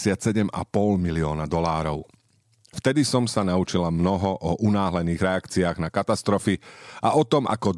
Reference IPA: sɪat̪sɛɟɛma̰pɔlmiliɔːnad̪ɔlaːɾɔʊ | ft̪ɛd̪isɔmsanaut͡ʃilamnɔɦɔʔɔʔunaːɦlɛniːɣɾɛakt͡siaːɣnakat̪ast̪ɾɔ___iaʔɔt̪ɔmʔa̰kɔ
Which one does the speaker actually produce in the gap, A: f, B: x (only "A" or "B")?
A